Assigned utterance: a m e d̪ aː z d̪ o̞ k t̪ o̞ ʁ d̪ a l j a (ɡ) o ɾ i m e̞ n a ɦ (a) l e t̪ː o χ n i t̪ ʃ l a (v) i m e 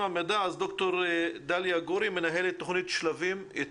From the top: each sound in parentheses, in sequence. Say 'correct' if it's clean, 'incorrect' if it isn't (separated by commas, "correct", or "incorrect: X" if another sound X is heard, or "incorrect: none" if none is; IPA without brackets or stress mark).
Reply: correct, incorrect: e, correct